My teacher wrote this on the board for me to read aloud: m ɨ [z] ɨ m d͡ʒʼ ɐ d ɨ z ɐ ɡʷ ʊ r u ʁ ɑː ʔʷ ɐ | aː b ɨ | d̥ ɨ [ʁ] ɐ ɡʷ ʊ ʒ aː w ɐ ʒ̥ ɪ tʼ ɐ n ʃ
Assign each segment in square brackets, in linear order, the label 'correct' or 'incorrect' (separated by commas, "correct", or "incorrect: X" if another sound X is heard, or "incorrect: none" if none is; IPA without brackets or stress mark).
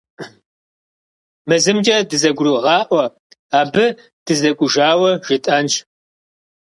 correct, incorrect: z